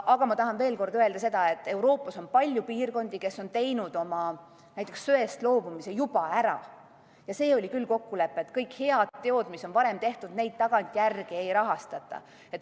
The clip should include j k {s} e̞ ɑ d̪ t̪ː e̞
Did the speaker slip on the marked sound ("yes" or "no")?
yes